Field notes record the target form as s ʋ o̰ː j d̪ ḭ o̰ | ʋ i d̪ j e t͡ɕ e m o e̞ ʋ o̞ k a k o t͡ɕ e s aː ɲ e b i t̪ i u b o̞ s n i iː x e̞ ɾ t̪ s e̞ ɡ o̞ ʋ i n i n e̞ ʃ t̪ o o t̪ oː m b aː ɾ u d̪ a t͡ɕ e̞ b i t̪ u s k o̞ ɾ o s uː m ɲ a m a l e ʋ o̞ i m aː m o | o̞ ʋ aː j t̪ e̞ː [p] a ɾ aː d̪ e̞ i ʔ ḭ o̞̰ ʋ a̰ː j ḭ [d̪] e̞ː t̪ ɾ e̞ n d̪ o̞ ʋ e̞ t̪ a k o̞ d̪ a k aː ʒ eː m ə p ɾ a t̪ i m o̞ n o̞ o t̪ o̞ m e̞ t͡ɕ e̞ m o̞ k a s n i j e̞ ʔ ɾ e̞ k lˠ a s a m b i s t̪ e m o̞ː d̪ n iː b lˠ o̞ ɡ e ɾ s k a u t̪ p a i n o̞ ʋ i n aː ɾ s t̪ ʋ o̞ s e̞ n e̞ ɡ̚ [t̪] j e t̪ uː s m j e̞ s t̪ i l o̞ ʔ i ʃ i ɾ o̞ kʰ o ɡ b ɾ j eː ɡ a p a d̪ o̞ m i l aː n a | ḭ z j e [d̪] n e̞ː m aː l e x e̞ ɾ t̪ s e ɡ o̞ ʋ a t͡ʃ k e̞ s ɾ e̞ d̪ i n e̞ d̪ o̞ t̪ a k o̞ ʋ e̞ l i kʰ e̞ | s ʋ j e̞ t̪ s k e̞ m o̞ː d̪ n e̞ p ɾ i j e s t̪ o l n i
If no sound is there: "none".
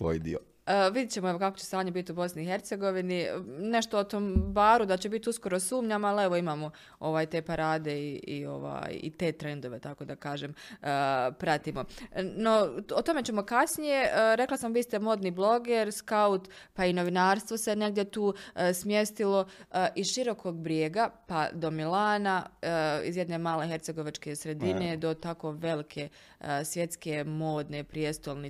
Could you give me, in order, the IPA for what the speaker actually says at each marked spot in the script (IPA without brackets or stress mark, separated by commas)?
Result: p, t̪, d̪, d̪